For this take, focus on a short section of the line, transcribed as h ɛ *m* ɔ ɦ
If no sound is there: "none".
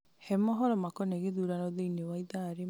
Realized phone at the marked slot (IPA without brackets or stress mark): m